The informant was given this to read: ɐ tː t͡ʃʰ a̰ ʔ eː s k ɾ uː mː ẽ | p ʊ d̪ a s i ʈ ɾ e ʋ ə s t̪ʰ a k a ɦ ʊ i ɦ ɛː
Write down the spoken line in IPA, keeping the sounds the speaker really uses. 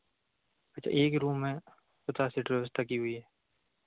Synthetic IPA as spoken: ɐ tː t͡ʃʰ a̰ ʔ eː k ɾ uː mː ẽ | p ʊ t̪ a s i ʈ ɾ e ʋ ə s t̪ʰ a k i ɦ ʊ i ɦ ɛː